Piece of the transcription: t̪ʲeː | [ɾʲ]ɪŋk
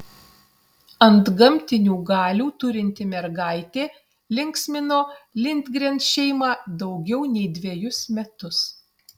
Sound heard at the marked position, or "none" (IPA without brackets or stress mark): lʲ